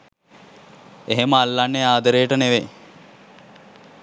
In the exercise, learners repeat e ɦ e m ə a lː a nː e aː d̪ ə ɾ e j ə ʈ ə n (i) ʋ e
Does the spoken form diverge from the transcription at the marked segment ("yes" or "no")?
yes